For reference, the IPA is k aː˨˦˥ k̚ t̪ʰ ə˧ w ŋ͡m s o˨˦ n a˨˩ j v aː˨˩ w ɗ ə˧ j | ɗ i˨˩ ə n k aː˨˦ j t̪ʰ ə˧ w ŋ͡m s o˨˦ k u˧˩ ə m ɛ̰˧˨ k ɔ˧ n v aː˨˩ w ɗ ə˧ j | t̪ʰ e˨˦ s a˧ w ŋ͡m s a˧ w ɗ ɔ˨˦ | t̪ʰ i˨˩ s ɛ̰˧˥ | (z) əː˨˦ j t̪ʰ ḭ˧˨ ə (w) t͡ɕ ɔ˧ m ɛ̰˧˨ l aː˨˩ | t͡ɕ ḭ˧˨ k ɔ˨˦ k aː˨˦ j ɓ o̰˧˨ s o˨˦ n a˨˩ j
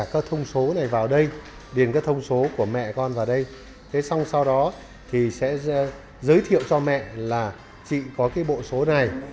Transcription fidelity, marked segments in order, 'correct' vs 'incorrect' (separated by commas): correct, correct